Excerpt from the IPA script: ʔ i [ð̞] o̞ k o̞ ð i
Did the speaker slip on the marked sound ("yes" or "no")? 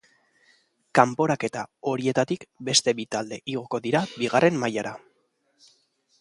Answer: yes